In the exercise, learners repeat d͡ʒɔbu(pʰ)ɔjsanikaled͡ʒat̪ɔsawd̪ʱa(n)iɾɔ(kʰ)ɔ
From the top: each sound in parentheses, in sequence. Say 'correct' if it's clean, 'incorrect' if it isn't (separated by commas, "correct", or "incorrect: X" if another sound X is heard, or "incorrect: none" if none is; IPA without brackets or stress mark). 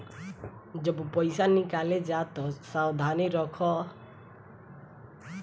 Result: incorrect: p, correct, correct